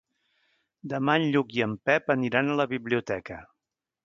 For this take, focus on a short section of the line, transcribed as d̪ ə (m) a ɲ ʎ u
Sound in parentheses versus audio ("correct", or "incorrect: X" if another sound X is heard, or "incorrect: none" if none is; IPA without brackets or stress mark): correct